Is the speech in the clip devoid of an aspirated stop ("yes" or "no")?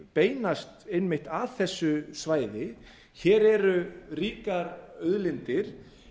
yes